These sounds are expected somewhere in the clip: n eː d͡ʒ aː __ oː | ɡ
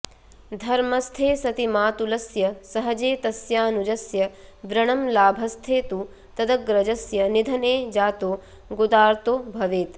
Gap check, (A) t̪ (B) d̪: A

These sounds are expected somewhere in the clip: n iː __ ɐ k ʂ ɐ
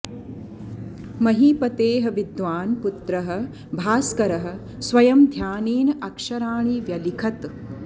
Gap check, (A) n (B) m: A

